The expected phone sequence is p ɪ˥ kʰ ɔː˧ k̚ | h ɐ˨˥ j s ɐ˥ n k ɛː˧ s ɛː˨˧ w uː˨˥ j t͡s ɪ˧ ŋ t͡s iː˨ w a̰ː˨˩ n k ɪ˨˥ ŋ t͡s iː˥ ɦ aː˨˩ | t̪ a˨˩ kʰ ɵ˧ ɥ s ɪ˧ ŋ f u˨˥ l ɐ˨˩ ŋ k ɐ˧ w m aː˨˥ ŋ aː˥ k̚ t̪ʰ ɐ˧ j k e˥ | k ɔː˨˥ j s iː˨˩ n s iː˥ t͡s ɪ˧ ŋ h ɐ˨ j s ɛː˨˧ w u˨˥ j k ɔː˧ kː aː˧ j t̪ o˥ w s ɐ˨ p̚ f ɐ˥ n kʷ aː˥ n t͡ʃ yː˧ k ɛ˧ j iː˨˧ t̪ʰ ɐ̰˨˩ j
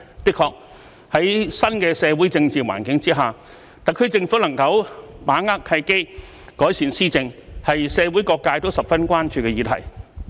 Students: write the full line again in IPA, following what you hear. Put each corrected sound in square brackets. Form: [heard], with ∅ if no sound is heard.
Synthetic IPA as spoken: p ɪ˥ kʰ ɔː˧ k̚ | h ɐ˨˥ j s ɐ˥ n k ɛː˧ s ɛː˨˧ w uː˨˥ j t͡s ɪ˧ ŋ t͡s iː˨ w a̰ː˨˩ n k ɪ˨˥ ŋ t͡s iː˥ ɦ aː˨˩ | t̪ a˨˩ kʰ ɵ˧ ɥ [t͡s] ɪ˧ ŋ f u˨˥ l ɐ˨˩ ŋ k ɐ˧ w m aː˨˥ ŋ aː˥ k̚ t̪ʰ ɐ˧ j k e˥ | k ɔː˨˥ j s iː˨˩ n s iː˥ t͡s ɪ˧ ŋ h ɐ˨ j s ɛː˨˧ w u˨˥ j k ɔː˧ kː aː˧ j t̪ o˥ w s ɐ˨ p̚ f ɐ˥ n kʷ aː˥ n t͡ʃ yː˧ k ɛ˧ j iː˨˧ t̪ʰ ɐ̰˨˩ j